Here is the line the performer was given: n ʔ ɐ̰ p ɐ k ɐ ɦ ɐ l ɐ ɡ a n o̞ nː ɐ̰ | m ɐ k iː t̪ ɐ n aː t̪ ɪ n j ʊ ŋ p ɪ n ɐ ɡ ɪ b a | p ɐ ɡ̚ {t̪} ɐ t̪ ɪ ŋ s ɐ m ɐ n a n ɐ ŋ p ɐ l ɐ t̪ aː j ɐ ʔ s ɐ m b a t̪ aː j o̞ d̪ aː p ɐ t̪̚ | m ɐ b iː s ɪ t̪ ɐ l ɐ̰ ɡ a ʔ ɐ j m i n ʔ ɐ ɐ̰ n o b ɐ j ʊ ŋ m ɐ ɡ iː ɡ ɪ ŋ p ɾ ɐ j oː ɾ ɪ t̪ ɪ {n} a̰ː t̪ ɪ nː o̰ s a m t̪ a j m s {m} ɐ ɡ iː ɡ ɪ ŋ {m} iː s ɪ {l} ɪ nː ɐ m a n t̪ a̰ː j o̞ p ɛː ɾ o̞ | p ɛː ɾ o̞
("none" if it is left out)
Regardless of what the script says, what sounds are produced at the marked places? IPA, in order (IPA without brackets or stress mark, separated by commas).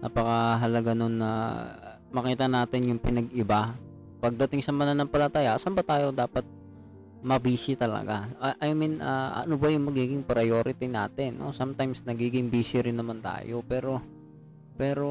d̪, n, n, b, ɾ